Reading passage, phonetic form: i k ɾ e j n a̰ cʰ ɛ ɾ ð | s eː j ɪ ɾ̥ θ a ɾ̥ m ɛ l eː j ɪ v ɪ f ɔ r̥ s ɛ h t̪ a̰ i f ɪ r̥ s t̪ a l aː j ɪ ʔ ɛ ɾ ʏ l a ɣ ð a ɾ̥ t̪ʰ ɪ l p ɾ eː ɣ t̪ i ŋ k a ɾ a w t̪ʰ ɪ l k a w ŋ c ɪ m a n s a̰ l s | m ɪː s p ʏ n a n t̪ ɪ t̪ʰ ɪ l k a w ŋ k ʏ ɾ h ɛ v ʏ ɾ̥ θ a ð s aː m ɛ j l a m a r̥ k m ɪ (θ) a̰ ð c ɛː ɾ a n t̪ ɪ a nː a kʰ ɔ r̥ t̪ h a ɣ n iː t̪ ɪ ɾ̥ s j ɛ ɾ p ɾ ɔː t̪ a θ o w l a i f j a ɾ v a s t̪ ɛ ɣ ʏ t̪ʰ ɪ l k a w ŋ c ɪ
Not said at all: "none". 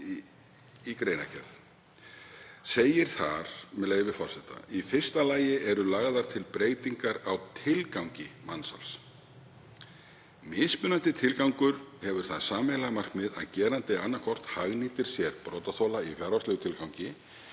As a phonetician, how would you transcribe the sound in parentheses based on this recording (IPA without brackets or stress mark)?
ð